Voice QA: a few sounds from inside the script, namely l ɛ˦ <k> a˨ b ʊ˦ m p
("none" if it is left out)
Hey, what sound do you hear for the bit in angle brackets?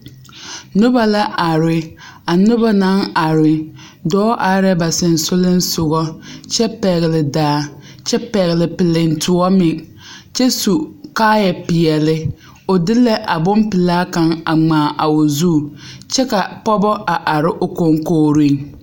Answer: ʔ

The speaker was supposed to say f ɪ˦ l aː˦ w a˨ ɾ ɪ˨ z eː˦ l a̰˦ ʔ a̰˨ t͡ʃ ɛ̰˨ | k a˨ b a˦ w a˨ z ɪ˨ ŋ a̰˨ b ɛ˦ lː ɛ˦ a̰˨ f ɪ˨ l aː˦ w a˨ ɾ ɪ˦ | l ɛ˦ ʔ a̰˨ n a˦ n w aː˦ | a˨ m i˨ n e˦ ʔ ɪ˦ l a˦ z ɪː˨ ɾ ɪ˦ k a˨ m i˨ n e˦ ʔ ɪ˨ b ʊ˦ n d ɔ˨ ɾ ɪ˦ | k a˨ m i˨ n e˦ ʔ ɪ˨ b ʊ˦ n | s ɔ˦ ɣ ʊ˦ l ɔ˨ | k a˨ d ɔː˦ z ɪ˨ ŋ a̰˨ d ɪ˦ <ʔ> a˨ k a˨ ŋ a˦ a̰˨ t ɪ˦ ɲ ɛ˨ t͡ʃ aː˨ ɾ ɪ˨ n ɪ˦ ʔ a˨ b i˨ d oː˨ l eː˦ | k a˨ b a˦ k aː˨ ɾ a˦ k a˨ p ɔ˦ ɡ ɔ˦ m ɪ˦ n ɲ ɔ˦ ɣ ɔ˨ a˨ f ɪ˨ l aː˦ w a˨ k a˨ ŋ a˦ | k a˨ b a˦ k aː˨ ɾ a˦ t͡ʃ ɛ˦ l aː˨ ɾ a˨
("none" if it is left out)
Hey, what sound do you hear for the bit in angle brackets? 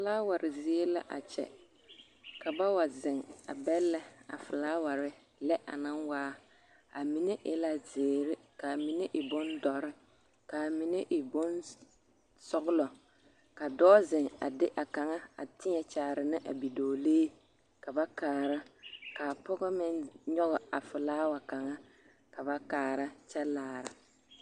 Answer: ʔ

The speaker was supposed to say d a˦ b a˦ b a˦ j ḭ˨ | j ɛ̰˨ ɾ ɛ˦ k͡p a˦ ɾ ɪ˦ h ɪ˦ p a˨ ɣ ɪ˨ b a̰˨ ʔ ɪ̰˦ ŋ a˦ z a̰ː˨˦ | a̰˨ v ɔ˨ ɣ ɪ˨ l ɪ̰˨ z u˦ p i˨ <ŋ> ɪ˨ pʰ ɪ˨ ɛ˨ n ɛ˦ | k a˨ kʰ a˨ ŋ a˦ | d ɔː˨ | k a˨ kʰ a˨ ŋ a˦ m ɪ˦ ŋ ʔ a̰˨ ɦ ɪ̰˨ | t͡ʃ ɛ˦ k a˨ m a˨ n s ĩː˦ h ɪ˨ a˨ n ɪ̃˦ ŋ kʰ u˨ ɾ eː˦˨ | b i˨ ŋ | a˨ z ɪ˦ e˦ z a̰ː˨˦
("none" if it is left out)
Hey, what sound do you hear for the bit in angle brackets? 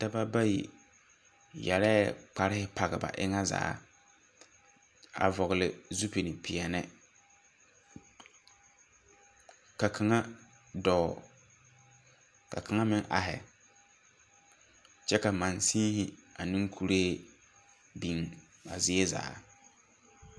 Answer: n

